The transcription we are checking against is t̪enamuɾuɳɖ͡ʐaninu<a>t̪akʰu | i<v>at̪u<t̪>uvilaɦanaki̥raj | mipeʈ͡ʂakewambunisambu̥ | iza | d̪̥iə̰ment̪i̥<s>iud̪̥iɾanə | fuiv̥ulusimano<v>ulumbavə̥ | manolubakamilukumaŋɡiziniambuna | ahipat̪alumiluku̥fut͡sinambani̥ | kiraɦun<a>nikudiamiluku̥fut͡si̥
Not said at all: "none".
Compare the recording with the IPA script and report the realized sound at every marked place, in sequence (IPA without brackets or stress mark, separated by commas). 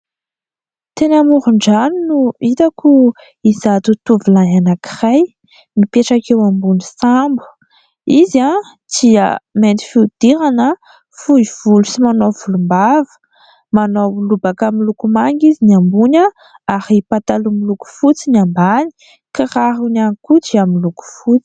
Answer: i, z, t̪, f, v, a